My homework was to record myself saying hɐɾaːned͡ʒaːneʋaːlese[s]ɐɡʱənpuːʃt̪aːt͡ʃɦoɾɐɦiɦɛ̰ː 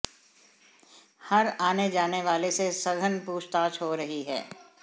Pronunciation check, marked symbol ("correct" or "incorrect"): correct